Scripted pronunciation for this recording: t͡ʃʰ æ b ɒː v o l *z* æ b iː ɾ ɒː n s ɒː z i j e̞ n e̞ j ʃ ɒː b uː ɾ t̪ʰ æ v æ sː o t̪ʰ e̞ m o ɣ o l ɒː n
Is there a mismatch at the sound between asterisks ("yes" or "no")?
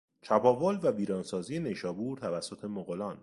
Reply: yes